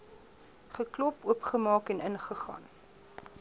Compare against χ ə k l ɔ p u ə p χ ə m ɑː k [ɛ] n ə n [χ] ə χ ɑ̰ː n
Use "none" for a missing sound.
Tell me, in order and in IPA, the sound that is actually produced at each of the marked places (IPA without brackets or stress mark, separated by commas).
ɛ, χ